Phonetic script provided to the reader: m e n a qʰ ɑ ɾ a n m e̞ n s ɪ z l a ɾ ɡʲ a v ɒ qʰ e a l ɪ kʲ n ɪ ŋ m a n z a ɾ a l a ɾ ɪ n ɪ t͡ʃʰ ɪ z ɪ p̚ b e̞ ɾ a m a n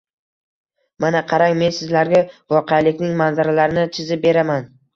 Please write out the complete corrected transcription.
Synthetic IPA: m a n a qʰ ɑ ɾ a ŋ m e̞ n s ɪ z l a ɾ ɡʲ a v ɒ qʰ e a l ɪ kʲ n ɪ ŋ m a n z a ɾ a l a ɾ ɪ n ɪ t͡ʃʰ ɪ z ɪ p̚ b e̞ ɾ a m a n